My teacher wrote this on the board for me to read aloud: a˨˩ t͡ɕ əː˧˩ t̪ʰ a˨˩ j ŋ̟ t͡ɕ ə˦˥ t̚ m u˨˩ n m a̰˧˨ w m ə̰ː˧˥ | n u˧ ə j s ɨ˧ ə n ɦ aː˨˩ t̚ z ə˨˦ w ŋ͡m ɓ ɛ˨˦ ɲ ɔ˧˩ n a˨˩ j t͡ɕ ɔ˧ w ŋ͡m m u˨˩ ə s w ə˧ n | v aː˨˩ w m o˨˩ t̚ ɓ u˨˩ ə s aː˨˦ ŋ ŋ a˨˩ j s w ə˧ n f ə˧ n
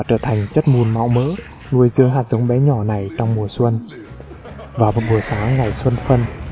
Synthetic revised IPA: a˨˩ t͡ɕ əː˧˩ t̪ʰ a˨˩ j ŋ̟ t͡ɕ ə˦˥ t̚ m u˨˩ n m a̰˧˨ w m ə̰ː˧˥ | n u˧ ə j z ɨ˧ ə ŋ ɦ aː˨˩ t̚ z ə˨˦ w ŋ͡m ɓ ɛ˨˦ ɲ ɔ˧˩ n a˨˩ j t͡ɕ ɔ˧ w ŋ͡m m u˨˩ ə s w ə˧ n | v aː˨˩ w m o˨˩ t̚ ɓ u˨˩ ə s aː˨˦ ŋ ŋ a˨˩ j s w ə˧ n f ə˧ n